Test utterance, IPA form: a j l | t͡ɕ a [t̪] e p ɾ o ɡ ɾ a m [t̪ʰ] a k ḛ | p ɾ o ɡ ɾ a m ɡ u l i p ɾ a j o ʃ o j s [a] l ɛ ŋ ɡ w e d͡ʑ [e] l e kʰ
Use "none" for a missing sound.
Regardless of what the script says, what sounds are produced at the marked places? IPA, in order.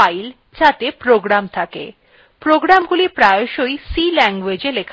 t̪, t̪ʰ, i, e

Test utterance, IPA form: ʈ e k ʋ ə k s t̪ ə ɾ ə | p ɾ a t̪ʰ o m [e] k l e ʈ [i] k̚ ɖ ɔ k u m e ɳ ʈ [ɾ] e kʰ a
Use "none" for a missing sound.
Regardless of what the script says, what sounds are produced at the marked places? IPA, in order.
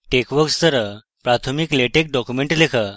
i, e, l

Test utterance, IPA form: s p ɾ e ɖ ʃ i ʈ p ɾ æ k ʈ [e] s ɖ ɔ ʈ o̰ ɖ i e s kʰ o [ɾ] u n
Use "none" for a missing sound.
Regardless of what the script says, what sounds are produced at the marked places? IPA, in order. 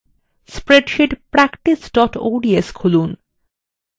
i, l

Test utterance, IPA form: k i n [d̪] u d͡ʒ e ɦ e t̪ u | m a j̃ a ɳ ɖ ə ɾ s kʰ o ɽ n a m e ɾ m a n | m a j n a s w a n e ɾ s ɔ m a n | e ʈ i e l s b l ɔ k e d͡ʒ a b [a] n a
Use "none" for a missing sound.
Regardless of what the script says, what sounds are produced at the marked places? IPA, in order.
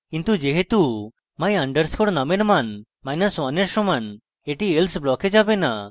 t̪, e

